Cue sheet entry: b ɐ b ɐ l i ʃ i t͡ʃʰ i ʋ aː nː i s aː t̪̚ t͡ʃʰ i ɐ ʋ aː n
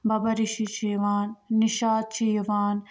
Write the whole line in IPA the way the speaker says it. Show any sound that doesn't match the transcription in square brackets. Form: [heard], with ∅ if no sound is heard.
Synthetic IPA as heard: b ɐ b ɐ [ɾ] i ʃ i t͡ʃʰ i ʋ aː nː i [ʃ] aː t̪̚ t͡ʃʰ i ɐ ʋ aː n